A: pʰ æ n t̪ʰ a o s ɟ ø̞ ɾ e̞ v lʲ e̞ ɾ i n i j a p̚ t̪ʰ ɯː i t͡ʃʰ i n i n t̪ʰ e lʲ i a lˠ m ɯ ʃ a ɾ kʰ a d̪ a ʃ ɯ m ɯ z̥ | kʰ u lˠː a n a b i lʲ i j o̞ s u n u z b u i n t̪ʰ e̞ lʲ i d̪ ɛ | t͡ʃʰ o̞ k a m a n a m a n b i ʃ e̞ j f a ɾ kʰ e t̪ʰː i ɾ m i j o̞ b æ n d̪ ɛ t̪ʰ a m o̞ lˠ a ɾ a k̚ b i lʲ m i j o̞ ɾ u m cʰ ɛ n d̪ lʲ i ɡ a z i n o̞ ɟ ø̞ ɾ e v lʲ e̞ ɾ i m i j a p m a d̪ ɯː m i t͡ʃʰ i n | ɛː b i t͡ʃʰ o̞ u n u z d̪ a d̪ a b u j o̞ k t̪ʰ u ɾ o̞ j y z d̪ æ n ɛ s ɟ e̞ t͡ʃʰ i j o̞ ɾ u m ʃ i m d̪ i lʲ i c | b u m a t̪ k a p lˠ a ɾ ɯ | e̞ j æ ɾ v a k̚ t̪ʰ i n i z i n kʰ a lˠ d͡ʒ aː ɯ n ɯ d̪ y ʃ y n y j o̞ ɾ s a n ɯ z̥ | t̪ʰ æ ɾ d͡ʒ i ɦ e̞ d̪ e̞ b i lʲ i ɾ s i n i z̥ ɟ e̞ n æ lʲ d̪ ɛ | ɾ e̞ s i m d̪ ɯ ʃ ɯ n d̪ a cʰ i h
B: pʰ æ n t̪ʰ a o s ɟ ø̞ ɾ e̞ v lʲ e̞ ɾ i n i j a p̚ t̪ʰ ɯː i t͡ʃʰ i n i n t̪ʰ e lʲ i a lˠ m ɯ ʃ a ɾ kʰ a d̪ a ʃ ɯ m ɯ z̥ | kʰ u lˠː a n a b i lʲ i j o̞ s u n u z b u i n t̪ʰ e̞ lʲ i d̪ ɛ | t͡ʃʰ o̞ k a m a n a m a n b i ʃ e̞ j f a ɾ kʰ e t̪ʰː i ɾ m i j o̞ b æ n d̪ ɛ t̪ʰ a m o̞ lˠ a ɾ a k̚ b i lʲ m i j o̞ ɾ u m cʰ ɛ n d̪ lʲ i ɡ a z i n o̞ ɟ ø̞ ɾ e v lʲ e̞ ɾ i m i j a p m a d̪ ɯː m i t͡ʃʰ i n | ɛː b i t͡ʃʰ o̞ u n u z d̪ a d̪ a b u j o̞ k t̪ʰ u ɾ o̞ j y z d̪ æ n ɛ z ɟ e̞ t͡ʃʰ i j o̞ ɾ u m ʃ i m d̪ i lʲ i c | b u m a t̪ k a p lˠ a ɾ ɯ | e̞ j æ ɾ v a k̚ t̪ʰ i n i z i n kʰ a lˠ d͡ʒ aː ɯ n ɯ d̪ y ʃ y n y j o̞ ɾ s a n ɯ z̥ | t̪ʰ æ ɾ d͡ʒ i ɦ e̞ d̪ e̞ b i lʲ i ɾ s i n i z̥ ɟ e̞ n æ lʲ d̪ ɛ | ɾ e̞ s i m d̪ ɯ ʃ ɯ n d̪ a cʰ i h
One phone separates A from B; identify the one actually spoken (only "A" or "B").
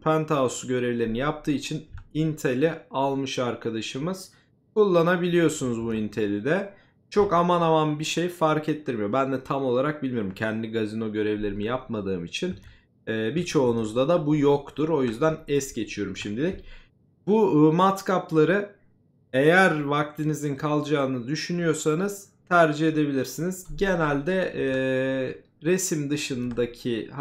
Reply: A